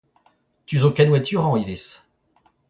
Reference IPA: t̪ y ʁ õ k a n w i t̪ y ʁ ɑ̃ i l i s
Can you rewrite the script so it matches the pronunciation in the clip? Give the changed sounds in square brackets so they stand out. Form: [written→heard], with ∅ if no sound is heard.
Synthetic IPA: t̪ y [ʁ→z] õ k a n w [i→a] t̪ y ʁ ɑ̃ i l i s